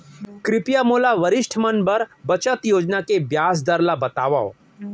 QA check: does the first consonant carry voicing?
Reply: no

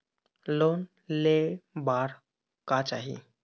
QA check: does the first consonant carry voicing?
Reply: yes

